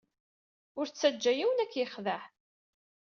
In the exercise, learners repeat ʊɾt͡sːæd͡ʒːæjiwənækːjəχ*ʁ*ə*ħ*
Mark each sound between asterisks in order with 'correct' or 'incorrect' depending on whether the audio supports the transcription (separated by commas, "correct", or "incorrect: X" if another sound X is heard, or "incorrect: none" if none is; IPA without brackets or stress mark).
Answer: incorrect: ð, correct